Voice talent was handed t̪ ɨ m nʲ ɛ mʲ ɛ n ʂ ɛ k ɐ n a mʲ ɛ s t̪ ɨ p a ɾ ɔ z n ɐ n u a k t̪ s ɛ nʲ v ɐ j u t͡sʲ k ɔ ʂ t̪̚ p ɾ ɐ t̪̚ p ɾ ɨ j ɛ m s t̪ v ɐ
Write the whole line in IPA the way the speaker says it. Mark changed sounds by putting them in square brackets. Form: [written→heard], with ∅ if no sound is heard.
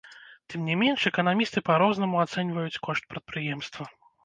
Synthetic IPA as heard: t̪ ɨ m nʲ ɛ mʲ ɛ n ʂ ɛ k ɐ n a mʲ [ɛ→i] s t̪ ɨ p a ɾ ɔ z n ɐ [n→m] u a [k→∅] t̪ s ɛ nʲ v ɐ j u t͡sʲ k ɔ ʂ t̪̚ p ɾ ɐ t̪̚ p ɾ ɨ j ɛ m s t̪ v ɐ